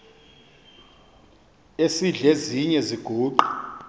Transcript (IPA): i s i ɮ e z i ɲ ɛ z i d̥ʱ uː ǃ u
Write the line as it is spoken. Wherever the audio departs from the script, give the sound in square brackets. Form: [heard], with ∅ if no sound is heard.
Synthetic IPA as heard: [e] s i ɮ e z i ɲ ɛ z i [ɡ̥ʱ] uː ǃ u